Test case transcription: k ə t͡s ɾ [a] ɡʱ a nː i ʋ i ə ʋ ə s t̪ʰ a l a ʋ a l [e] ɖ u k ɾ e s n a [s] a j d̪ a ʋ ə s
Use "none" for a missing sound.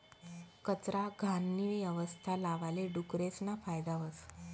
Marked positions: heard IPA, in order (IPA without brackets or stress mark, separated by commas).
a, e, f